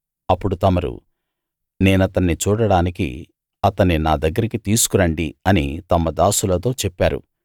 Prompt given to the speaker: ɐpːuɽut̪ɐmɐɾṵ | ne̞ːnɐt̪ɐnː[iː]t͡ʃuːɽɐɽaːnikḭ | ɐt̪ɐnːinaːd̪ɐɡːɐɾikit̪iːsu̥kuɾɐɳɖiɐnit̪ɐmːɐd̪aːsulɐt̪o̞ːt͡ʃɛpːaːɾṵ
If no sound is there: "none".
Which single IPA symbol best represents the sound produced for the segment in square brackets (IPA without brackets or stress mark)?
i